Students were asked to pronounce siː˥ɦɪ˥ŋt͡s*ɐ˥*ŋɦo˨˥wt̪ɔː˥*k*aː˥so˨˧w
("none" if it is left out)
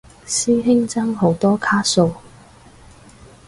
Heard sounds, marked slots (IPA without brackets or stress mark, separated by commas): ɐ˥, kʰ